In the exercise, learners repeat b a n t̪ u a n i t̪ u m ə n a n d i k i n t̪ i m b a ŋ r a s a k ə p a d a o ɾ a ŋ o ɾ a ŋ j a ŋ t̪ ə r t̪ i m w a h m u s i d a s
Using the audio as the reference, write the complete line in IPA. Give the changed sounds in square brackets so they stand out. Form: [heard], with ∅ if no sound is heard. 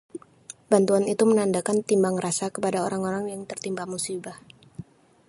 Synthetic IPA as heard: b a n t̪ u a n i t̪ u m ə n a n d [a] k [a] n t̪ i m b a ŋ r a s a k ə p a d a o ɾ a ŋ o ɾ a ŋ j a ŋ t̪ ə r t̪ i m [b] a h m u s i [b] a [h]